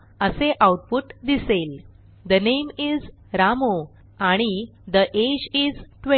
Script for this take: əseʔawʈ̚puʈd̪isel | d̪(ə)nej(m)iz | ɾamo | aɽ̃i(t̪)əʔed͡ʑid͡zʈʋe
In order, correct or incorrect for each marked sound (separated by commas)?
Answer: correct, correct, incorrect